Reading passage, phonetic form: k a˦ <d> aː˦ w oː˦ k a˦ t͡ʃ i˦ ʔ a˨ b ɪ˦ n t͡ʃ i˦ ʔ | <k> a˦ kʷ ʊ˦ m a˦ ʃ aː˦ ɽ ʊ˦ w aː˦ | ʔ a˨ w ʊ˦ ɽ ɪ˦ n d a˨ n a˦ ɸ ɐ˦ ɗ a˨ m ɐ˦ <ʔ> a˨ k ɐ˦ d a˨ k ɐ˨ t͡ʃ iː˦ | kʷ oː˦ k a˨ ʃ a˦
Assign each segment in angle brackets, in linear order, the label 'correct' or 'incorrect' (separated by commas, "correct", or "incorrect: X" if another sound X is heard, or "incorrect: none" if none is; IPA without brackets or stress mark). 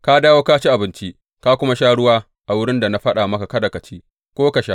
correct, correct, incorrect: k